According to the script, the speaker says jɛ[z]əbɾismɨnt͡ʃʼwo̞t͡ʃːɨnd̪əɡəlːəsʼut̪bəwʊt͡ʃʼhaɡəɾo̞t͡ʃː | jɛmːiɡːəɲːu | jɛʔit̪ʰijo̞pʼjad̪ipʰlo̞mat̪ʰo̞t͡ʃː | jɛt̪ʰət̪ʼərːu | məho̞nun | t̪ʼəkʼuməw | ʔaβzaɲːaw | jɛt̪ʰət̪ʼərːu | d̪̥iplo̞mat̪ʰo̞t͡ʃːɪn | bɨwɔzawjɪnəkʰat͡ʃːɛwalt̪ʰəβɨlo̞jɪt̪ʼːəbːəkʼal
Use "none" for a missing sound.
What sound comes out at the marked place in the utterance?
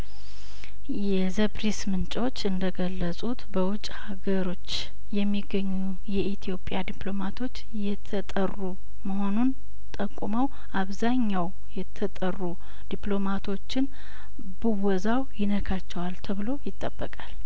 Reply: z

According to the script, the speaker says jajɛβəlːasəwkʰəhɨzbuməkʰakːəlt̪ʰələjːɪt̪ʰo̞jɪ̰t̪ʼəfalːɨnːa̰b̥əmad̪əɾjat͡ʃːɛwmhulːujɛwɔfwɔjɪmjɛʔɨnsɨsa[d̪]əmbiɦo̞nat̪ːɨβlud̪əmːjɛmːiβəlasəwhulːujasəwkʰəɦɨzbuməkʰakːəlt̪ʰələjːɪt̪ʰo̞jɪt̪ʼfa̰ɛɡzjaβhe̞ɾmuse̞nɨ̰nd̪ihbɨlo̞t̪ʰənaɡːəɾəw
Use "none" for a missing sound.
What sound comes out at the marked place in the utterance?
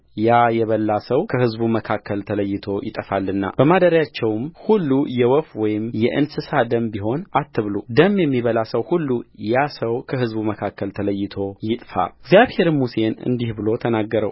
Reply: d̪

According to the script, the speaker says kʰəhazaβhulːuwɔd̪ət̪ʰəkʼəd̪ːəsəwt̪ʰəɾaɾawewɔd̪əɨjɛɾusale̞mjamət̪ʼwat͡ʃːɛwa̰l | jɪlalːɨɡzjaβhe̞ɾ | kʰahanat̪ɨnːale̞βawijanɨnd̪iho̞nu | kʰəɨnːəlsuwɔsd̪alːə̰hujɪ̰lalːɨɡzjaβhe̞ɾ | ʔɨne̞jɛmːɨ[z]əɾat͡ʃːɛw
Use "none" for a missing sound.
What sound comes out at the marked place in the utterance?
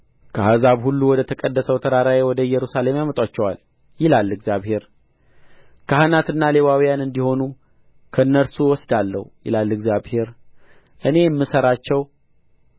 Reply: s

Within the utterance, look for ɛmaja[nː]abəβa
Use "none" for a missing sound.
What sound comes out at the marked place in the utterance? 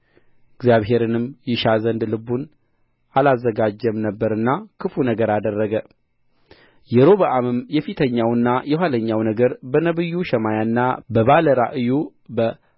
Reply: nː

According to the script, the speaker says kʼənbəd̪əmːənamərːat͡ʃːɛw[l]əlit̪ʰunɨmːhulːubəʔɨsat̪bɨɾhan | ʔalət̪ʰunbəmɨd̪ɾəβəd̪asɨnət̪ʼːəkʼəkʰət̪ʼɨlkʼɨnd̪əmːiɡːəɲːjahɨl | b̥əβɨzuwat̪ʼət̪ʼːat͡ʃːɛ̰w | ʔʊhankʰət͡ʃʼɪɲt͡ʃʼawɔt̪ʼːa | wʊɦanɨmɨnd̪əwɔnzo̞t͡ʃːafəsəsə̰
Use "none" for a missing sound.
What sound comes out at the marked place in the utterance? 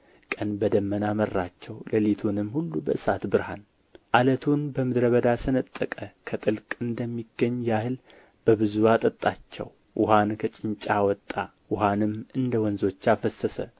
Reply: l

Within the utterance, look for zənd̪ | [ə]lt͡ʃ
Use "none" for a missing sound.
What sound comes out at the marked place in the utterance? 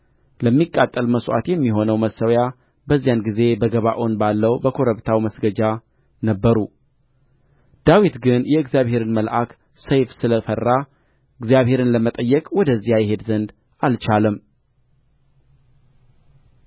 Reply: a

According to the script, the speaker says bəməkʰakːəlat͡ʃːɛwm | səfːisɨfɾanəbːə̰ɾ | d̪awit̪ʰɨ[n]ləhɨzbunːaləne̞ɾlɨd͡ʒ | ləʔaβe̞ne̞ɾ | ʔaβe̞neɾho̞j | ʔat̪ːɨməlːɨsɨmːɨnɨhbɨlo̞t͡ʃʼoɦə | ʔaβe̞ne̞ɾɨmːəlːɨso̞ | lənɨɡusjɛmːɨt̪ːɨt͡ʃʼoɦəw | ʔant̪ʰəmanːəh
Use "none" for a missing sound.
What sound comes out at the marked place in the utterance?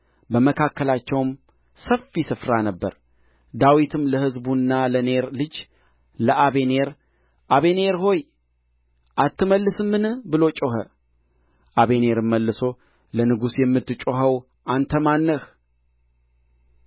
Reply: m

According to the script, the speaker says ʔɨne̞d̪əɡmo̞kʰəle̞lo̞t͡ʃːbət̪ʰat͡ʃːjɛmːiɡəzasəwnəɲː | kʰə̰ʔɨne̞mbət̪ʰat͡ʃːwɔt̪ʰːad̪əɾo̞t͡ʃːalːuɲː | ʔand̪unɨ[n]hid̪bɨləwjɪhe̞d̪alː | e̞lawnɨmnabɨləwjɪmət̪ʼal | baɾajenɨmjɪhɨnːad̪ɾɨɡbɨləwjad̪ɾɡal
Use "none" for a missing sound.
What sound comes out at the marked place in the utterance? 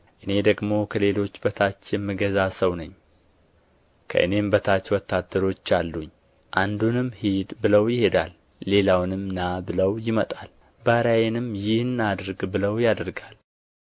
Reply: m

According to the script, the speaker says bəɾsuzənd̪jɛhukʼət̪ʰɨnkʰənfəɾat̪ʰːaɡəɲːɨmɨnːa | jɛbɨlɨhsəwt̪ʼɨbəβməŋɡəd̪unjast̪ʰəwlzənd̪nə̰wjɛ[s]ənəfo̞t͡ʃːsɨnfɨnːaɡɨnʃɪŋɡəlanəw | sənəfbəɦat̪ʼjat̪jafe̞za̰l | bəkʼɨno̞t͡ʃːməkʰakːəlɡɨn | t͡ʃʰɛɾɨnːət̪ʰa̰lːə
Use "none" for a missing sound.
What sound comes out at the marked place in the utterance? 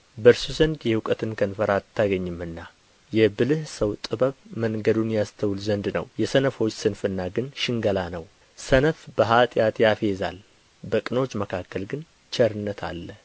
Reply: s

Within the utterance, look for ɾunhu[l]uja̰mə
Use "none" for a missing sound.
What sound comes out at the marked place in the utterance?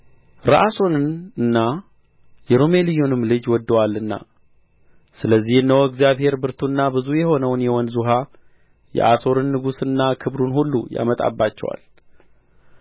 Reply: lː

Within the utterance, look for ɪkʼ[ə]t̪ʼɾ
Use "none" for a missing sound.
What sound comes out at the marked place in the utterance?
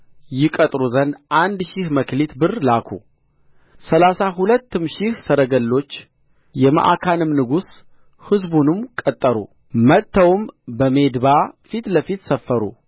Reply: ə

